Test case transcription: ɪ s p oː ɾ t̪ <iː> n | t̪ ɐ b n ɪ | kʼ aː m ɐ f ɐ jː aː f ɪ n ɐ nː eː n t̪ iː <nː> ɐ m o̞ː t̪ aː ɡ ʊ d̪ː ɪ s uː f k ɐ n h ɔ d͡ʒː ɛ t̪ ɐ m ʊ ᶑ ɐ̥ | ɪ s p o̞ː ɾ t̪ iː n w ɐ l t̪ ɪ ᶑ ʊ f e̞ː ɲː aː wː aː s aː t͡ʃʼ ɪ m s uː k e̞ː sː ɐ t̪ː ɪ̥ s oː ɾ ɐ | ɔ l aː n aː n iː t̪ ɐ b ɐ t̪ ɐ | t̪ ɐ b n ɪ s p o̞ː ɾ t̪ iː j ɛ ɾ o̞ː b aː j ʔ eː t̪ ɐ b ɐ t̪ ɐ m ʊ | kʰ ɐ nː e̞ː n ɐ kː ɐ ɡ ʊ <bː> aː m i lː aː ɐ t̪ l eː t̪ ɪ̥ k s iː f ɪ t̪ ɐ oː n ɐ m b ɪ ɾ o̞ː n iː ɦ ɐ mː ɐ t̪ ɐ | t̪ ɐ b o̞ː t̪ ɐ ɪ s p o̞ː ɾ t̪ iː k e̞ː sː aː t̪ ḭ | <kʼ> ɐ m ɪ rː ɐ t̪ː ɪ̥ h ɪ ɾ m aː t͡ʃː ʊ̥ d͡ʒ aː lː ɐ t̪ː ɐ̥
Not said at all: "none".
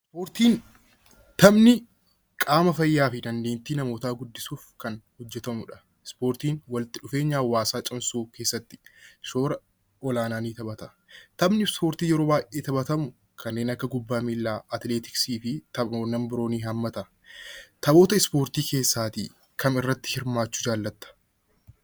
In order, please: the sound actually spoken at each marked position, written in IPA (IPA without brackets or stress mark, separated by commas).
iː, n, bː, k